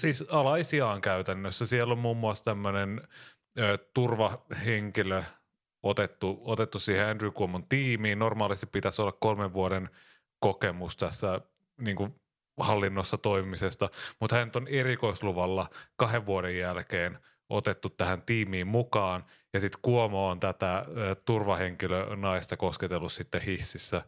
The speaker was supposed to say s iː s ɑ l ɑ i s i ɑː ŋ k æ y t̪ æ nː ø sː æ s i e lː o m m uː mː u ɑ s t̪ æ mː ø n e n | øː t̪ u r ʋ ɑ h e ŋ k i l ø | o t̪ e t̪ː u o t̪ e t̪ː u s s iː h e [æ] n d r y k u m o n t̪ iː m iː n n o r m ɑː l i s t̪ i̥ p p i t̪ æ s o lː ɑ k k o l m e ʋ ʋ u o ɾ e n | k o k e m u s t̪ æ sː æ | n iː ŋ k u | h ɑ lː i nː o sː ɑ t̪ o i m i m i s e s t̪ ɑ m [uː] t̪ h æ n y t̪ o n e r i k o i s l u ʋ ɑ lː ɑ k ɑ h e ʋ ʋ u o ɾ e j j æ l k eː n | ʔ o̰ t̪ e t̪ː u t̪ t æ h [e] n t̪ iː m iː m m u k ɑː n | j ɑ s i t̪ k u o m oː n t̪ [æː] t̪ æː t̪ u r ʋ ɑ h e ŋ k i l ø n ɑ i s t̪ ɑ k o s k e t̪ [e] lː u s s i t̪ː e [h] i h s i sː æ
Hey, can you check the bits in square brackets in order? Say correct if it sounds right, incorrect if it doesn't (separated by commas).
correct, incorrect, incorrect, incorrect, correct, correct